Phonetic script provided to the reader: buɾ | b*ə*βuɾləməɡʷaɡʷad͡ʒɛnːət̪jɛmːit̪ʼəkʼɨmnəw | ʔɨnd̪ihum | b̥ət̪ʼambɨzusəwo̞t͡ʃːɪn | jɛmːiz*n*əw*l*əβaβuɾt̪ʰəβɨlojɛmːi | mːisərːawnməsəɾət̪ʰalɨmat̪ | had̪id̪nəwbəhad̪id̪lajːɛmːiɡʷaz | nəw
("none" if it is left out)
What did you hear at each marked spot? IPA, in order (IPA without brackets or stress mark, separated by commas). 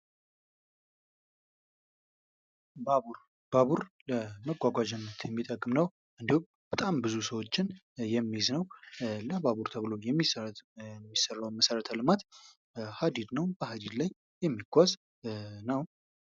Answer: a, n, l